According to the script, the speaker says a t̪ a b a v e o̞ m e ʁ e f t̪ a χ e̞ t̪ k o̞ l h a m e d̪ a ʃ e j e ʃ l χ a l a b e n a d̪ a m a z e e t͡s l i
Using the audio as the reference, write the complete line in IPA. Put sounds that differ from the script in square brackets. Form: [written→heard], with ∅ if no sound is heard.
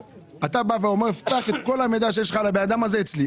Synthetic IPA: a t̪ a b a v e o̞ m e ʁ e f t̪ a χ e̞ t̪ k o̞ l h a m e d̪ a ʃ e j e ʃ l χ a l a b e n a d̪ a m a z e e t͡s l i

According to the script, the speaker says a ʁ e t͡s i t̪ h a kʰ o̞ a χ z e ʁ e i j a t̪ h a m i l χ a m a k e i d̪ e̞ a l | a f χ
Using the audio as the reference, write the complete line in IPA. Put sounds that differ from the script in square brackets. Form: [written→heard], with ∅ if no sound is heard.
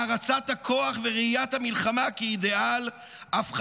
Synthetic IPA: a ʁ [e→a] t͡s [i→a] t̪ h a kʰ o̞ a χ [z→v] e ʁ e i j a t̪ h a m i l χ a m a k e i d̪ e̞ a l | a f χ

